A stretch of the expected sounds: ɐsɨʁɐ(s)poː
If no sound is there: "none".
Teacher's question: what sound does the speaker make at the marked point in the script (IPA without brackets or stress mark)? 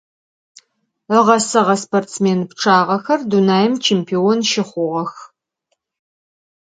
s